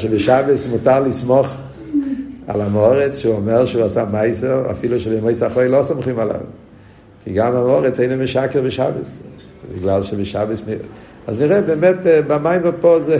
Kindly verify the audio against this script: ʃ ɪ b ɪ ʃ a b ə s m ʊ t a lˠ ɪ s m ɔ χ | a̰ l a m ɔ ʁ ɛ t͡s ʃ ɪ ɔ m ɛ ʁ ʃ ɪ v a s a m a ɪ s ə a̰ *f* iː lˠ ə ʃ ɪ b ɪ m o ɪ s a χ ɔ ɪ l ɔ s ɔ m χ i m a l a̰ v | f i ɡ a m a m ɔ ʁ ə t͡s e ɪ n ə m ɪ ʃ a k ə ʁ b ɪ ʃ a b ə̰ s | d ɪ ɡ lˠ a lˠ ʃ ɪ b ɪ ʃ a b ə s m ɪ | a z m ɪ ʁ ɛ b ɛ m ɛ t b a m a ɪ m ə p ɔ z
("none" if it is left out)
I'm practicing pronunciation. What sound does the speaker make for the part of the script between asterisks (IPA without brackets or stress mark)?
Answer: f